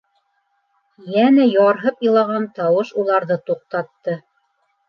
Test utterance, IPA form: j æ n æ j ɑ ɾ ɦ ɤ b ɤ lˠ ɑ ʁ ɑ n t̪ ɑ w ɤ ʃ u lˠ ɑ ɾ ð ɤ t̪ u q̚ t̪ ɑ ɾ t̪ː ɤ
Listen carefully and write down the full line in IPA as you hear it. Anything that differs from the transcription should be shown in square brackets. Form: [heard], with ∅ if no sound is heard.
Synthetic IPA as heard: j æ n æ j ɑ ɾ ɦ ɤ [p] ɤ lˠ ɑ ʁ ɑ n t̪ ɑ w ɤ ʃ u lˠ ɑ ɾ ð ɤ t̪ u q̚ t̪ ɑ [∅] t̪ː ɤ